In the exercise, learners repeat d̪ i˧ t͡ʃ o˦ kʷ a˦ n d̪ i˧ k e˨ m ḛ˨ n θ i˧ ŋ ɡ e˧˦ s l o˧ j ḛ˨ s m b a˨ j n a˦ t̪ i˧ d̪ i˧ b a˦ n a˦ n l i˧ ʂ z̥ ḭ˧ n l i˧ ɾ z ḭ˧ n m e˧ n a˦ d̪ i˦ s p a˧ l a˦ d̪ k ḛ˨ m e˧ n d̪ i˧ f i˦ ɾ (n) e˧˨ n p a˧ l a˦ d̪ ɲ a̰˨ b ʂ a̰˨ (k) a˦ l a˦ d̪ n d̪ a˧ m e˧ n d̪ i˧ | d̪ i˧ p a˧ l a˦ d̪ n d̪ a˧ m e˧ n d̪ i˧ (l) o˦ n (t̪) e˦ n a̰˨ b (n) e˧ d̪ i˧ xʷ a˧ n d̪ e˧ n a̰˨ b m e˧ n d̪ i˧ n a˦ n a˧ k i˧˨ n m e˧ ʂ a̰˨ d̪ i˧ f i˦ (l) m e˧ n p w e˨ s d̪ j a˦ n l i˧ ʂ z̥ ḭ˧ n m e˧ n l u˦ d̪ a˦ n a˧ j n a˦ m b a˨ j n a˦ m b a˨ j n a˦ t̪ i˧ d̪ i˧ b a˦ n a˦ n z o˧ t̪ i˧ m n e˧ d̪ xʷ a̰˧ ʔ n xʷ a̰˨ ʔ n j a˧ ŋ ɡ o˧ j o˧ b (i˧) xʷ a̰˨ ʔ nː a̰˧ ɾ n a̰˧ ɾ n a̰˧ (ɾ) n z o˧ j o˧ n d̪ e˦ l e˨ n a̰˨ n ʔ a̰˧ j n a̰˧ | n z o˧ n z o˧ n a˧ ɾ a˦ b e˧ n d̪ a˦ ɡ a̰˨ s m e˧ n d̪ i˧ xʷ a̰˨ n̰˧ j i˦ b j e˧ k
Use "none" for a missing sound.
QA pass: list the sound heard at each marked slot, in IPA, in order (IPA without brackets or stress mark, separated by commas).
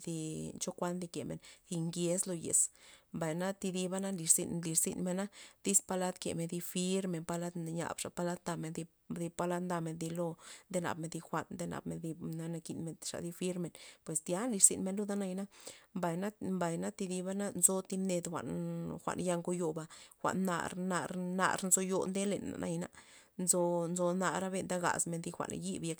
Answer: m, p, l, d̪, m, ɾ, a˧, ɾ